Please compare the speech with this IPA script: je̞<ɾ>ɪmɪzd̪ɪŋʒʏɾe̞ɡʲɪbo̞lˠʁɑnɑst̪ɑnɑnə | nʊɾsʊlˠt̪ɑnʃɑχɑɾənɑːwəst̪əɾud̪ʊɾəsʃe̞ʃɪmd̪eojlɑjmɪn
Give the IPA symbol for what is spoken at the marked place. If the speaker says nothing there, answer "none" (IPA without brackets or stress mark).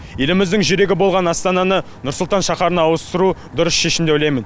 l